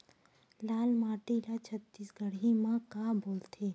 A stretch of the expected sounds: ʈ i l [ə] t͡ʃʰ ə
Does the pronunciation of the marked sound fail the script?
yes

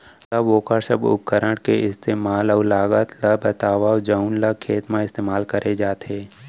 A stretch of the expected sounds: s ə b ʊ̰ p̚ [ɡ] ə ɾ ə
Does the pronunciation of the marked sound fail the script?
yes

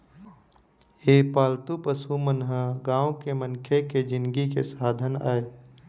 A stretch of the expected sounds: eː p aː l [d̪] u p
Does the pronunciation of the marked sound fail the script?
yes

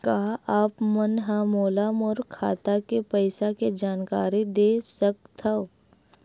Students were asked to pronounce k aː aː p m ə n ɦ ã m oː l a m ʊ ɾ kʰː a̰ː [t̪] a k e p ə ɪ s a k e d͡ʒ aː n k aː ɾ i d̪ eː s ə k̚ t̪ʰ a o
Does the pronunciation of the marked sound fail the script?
no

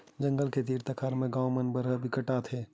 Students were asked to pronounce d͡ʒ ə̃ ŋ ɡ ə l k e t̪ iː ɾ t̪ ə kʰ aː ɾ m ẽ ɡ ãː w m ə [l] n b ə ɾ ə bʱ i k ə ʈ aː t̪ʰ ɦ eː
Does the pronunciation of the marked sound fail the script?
yes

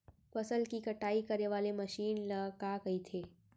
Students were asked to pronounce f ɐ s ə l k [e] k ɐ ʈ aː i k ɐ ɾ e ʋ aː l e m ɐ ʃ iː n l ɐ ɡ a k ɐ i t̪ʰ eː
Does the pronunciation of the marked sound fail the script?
yes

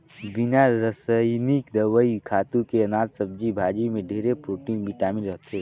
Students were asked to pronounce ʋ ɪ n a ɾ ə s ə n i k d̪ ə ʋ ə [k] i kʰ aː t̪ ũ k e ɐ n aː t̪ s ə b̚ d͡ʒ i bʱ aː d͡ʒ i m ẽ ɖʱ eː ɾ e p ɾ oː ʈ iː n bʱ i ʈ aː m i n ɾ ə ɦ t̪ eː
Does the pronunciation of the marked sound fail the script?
yes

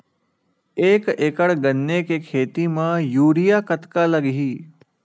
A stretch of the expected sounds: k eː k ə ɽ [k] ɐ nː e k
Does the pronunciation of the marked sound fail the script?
yes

